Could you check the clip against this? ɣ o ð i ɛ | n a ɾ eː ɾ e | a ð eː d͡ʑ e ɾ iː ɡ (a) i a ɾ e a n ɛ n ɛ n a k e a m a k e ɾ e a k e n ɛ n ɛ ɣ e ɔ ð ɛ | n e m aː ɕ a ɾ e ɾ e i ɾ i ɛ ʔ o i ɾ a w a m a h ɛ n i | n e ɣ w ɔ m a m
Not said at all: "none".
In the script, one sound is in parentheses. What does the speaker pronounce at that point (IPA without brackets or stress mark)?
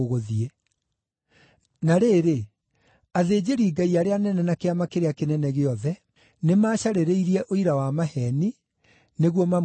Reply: a